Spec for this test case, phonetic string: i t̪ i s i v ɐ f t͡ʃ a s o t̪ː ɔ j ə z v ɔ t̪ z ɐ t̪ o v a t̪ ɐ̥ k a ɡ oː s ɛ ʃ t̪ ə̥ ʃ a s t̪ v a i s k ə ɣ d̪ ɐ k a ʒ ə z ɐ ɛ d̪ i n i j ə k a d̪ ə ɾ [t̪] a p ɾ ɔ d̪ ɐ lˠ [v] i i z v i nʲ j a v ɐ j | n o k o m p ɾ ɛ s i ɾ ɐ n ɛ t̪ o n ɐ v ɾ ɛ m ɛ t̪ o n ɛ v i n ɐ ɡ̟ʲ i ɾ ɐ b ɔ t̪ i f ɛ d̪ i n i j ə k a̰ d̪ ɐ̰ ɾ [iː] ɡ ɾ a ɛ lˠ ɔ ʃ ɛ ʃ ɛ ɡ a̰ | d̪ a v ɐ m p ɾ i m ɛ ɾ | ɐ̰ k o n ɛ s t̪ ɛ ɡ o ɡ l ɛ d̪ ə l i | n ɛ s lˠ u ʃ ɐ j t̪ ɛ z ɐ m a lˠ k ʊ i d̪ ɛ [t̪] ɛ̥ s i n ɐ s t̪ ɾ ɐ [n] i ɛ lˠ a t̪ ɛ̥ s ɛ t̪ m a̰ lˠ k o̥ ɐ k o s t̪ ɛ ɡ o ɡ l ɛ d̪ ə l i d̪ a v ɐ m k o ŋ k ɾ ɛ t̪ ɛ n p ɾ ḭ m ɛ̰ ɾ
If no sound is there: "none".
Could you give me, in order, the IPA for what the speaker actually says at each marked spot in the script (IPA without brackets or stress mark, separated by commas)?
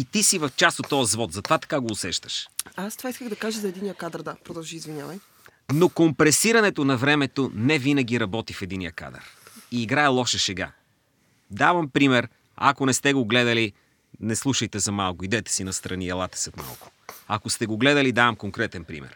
d̪, ʒ, iː, t̪, n